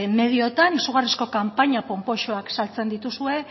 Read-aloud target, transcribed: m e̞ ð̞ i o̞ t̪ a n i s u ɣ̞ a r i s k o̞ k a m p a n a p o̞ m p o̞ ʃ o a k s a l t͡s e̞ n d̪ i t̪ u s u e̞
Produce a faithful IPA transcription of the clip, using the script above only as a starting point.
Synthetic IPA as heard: m e̞ ð̞ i o̞ t̪ a n i s u ɣ̞ a r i s k o̞ k a m p a ɲ a p o̞ m p o̞ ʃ o a k s a l t͡s e̞ n d̪ i t̪ u s u e̞